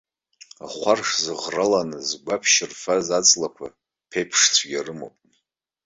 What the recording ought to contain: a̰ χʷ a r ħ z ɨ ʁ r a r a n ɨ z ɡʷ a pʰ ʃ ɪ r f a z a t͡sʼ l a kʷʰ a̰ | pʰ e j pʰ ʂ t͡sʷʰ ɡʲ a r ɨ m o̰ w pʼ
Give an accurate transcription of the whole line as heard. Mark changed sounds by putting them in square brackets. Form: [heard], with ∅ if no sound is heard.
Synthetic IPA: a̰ χʷ a r [ʂ] z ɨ ʁ r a [l] a n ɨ z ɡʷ a pʰ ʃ ɪ r f a z a t͡sʼ l a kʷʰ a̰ | pʰ e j pʰ ʂ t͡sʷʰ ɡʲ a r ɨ m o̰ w pʼ